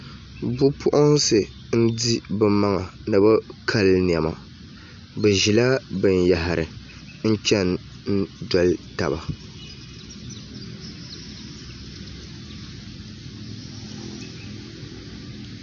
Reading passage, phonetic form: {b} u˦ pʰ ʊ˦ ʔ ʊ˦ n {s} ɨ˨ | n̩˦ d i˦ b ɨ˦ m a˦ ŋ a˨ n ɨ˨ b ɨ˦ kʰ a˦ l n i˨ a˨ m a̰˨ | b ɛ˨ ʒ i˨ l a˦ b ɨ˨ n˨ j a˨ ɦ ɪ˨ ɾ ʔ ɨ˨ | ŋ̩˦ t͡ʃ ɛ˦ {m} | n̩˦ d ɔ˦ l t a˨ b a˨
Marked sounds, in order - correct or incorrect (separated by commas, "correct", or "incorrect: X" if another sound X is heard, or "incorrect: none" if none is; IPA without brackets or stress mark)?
correct, correct, incorrect: n